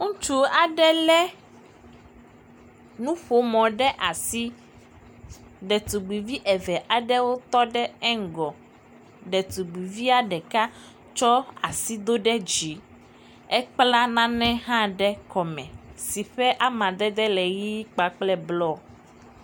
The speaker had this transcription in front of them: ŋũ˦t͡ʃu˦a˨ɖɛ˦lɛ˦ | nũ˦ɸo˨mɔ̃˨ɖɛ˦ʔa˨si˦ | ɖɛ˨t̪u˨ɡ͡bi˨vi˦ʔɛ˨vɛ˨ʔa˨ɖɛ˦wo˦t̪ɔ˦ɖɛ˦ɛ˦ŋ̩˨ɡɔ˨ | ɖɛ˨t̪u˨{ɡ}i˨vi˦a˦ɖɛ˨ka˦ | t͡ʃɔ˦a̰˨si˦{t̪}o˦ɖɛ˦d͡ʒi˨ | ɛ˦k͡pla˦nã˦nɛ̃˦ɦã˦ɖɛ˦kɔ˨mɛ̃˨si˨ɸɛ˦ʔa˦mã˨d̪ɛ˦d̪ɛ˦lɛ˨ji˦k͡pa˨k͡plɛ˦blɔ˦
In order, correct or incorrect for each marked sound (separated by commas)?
incorrect, incorrect